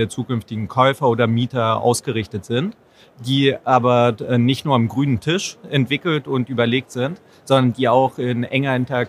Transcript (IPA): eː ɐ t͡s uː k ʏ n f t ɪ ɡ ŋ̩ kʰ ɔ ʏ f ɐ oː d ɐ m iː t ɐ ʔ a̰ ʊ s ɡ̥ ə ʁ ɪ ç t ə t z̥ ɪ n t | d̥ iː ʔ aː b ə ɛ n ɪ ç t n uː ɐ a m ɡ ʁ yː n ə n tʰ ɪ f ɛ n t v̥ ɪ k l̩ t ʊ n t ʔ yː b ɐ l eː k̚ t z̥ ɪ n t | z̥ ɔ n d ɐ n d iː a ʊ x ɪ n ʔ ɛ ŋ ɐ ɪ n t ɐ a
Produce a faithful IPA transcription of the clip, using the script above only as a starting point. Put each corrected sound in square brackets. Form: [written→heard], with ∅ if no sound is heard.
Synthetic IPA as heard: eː ɐ t͡s uː k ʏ n f t ɪ ɡ ŋ̩ kʰ ɔ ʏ f ɐ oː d ɐ m iː t ɐ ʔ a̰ ʊ s ɡ̥ ə ʁ ɪ ç t ə t z̥ ɪ n t | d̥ iː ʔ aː b [ə→ɐ] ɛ n ɪ ç t n uː ɐ a m ɡ ʁ yː n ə n tʰ ɪ [f→ʃ] ɛ n t v̥ ɪ k l̩ t ʊ n t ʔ yː b ɐ l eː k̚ t z̥ ɪ n t | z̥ ɔ n d ɐ n d iː a ʊ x ɪ n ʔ ɛ ŋ ɐ ɪ n t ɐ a